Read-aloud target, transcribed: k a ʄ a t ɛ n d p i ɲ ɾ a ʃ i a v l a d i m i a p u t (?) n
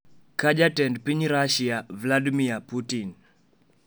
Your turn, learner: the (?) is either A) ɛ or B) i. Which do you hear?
B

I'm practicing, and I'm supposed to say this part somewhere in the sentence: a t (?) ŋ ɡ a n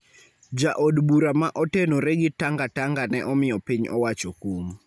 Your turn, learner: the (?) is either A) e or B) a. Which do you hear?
B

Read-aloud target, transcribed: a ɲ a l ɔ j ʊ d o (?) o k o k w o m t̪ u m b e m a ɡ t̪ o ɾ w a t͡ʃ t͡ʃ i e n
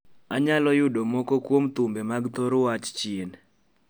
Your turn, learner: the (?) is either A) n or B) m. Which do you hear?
B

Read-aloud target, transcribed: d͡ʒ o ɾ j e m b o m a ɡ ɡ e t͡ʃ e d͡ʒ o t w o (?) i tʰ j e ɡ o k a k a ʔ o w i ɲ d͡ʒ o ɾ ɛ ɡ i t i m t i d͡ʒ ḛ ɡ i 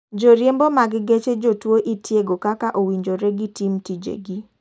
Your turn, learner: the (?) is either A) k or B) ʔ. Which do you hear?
B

